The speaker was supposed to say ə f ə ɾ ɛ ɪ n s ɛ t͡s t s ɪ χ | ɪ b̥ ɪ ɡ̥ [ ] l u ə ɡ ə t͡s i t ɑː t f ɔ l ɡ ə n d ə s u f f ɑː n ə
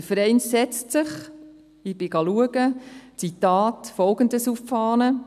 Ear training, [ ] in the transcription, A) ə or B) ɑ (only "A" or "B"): B